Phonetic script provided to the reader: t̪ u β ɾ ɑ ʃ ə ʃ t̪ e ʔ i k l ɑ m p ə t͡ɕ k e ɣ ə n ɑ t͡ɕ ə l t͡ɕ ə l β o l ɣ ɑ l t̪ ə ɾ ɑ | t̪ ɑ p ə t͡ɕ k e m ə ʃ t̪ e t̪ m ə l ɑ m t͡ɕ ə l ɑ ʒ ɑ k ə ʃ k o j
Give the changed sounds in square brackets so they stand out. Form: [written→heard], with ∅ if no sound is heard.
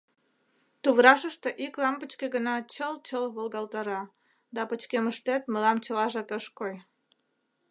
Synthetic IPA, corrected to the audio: t̪ u β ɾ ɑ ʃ ə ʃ t̪ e ʔ i k l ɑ m p ə t͡ɕ k e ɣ ə n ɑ t͡ɕ ə l t͡ɕ ə l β o l ɣ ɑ l t̪ [ə→ɑ] ɾ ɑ | [t̪→d̪] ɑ p ə t͡ɕ k e m ə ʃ t̪ e t̪ m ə l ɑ m t͡ɕ ə l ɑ ʒ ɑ k ə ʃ k o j